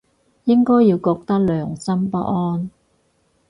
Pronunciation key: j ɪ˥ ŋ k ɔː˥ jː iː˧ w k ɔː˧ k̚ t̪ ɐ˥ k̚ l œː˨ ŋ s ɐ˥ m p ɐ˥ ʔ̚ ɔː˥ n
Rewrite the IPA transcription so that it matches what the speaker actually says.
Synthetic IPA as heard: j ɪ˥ ŋ k ɔː˥ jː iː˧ w k ɔː˧ k̚ t̪ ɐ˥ k̚ l œː˨ ŋ s ɐ˥ m p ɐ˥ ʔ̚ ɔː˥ n

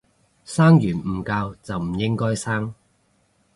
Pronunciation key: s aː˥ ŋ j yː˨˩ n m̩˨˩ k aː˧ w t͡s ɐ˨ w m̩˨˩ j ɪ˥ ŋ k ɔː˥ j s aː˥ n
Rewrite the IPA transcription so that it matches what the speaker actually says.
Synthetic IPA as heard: s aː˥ ŋ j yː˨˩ n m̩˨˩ k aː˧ w t͡s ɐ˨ w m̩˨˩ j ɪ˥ ŋ k ɔː˥ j s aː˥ ŋ

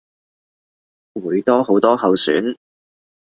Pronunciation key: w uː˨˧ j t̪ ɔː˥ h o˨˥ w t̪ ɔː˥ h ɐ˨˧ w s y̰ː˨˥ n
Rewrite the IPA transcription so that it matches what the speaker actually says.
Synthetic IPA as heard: w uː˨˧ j t̪ ɔː˥ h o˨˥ w t̪ ɔː˥ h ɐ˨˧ w s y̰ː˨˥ n

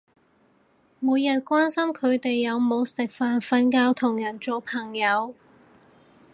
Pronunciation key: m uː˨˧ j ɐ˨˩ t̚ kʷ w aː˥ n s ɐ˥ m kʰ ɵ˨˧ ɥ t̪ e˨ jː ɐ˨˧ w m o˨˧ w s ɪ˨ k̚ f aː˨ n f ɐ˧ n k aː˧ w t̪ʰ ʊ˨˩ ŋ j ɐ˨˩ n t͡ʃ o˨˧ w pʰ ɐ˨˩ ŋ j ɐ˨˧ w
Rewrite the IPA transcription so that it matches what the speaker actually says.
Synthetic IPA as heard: m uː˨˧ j ɐ˨˩ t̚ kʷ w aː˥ n s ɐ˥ m kʰ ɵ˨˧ ɥ t̪ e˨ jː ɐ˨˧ w m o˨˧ w s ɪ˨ k̚ f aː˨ n f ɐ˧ n k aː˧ w t̪ʰ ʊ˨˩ ŋ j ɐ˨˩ n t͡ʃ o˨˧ w pʰ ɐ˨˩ ŋ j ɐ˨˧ w

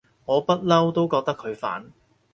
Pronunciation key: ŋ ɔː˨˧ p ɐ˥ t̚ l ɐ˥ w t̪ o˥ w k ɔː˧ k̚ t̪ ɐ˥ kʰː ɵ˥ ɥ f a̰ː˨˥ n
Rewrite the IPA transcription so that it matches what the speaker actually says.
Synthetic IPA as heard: ŋ ɔː˨˧ p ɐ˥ t̚ l ɐ˥ w t̪ o˥ w k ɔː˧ k̚ t̪ ɐ˥ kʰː ɵ˨˧ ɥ f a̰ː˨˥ n

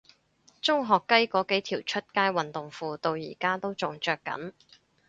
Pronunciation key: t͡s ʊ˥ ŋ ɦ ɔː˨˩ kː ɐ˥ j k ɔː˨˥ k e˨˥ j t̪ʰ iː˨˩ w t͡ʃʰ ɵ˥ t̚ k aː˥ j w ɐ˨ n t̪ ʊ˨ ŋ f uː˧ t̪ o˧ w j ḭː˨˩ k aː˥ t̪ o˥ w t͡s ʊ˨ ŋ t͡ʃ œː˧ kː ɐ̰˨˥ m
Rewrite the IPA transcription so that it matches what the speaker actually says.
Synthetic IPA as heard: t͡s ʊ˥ ŋ ɦ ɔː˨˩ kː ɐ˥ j k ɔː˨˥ k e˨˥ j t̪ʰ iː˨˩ w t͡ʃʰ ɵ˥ t̚ k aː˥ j w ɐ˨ n t̪ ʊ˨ ŋ f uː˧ t̪ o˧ w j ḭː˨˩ k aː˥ t̪ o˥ w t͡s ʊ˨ ŋ t͡ʃ œː˧ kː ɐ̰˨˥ n

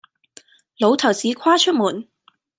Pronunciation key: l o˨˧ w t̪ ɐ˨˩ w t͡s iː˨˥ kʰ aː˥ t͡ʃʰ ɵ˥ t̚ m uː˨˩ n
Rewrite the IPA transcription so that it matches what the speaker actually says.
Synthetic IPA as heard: l o˨˧ w t̪ʰ ɐ˨˩ w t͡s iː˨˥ kʰ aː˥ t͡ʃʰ ɵ˥ t̚ m uː˨˩ n

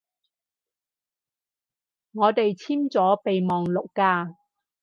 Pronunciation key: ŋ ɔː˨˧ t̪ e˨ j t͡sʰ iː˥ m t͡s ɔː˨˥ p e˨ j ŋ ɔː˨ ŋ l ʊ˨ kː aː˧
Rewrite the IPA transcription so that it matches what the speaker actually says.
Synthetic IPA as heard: ŋ ɔː˨˧ t̪ e˨ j t͡sʰ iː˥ m t͡s ɔː˨˥ p e˨ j m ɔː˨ ŋ l ʊ˨ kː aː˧

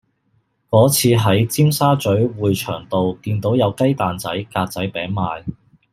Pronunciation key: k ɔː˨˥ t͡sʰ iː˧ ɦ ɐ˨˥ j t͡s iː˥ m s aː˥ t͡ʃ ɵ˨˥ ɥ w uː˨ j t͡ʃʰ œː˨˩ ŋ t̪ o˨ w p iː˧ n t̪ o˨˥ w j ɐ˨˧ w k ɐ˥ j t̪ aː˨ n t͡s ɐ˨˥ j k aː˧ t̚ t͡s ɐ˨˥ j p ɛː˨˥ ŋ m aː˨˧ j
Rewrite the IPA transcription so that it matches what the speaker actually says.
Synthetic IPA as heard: k ɔː˨˥ t͡sʰ iː˧ ɦ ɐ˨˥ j t͡s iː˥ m s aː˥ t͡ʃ ɵ˨˥ ɥ w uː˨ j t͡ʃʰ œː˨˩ ŋ t̪ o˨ w k iː˧ n t̪ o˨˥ w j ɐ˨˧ w k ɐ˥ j t̪ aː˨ n t͡s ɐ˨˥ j k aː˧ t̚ t͡s ɐ˨˥ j p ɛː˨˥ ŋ m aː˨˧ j

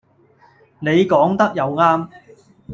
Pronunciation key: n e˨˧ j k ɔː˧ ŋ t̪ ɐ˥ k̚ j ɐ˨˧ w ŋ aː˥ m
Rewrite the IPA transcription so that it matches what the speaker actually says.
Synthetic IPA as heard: n e˨˧ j k ɔː˨˥ ŋ t̪ ɐ˥ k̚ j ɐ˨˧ w ŋ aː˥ m

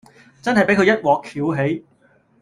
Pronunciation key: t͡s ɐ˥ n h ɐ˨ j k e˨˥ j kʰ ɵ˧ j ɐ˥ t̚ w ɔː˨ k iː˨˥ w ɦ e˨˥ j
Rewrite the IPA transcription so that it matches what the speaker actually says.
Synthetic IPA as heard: t͡s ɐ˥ n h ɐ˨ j p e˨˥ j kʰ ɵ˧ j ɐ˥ t̚ w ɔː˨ kʰ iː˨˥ w ɦ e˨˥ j

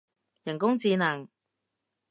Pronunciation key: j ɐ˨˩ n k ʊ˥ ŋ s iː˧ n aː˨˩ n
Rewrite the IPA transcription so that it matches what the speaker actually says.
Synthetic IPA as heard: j ɐ˨˩ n k ʊ˥ ŋ t͡s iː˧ n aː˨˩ ŋ

